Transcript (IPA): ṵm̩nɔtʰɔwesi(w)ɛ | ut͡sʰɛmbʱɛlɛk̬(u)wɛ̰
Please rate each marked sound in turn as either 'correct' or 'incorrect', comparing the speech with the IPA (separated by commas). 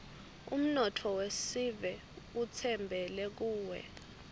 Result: incorrect, incorrect